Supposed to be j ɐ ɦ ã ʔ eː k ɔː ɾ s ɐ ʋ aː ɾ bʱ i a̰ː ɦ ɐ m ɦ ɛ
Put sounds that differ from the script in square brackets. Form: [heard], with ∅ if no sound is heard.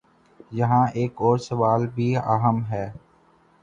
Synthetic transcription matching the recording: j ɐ ɦ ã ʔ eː k ɔː ɾ s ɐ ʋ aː [l] bʱ i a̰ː ɦ [ə] m ɦ [ɛː]